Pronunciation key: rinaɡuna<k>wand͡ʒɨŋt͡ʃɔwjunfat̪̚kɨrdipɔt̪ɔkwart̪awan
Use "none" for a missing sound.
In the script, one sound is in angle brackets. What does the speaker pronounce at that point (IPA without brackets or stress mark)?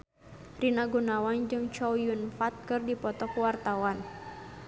none